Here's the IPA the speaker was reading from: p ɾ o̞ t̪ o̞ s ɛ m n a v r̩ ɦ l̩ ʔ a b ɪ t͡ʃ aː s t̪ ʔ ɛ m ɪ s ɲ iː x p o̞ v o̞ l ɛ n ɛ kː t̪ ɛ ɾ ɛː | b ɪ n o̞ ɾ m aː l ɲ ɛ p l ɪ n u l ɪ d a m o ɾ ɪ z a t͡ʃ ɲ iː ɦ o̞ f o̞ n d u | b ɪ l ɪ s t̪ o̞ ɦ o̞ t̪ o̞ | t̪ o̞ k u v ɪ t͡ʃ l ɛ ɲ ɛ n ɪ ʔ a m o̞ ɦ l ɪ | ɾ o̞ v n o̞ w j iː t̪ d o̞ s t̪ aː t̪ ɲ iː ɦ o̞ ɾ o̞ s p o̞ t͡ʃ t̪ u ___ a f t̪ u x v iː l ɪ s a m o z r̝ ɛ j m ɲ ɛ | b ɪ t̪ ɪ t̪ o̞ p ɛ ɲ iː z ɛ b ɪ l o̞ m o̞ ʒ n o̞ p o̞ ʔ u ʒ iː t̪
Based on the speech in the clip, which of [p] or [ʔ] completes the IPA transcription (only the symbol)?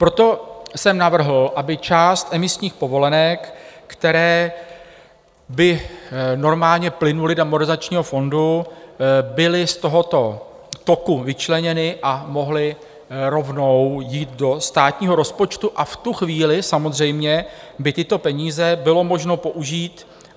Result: ʔ